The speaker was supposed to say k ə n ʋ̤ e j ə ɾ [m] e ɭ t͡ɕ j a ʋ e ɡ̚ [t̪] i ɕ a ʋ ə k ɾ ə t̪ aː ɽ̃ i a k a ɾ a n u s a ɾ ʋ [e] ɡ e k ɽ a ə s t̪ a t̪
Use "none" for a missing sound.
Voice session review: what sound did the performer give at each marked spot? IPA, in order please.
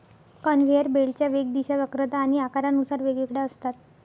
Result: b, d̪, e

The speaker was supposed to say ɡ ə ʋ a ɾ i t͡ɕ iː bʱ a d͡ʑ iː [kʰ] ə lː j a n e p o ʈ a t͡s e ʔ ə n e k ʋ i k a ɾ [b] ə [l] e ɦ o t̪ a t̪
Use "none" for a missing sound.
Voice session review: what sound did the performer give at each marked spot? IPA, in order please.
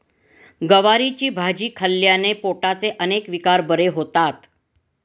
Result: kʰ, b, ɾ

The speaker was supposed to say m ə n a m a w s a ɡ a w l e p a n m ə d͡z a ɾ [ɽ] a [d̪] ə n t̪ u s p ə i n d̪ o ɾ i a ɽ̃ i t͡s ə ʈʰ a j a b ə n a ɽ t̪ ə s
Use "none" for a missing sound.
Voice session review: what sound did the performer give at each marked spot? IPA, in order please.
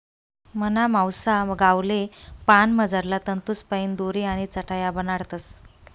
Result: l, t̪

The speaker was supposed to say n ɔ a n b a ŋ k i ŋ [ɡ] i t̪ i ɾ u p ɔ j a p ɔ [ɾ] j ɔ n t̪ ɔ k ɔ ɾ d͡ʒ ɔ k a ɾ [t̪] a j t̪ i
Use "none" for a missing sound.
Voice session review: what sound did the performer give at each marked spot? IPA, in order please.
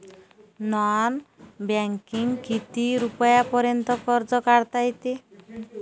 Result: k, ɾ, t̪

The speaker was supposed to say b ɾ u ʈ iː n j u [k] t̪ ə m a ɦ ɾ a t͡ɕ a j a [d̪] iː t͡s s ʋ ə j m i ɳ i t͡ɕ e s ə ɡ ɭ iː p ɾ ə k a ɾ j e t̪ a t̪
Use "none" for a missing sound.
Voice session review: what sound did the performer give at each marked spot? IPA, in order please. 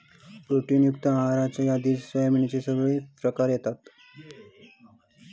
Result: k, d̪

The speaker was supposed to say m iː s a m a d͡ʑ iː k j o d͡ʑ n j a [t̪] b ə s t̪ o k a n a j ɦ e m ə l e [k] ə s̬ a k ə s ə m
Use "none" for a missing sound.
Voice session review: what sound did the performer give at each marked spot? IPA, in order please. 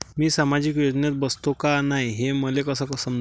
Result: t̪, k

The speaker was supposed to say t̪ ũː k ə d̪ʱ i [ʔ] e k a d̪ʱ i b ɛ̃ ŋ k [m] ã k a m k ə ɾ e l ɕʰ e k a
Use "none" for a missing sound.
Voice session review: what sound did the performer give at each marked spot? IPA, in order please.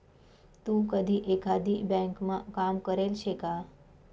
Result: ʔ, m

